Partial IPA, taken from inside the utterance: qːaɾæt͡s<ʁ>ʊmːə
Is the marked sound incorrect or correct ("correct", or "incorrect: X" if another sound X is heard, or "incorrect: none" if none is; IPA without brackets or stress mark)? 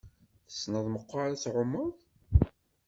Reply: incorrect: ʕ